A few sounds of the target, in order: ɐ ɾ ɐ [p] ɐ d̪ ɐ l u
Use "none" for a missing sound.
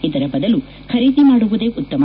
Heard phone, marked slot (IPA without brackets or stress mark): b